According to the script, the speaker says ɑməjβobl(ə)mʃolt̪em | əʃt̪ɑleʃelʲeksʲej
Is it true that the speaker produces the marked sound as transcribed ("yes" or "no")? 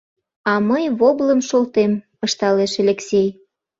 yes